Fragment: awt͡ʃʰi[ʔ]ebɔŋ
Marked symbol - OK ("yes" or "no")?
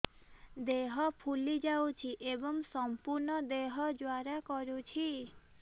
yes